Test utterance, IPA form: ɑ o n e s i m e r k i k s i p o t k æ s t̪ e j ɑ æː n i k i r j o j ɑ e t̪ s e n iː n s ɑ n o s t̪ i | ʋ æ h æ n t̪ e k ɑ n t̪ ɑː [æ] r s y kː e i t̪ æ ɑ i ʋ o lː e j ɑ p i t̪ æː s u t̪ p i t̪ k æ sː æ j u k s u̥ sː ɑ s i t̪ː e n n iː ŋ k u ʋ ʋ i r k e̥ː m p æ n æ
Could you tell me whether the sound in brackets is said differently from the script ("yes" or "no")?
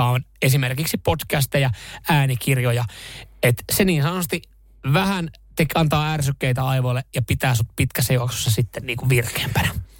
no